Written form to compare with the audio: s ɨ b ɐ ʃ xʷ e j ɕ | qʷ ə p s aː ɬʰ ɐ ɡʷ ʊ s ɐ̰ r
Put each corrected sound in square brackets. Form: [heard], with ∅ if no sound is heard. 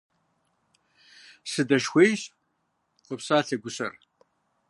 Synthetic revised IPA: s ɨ [d] ɐ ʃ xʷ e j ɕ | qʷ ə p s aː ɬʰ ɐ ɡʷ ʊ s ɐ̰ r